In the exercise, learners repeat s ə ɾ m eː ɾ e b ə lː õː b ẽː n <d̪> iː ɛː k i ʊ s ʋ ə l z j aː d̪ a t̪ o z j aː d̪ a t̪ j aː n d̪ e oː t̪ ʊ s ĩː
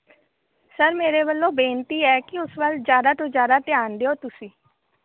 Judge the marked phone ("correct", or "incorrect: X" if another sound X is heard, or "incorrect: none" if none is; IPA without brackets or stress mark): incorrect: t̪